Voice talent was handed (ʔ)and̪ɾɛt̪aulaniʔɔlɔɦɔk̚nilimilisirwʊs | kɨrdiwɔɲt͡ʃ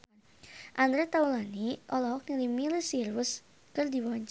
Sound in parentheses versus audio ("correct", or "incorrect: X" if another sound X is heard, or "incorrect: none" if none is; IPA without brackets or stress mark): correct